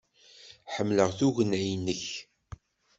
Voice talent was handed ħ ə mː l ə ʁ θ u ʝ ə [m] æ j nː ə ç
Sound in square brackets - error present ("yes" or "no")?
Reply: yes